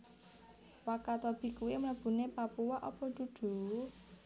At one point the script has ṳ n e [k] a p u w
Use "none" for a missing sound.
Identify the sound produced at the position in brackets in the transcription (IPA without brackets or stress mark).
p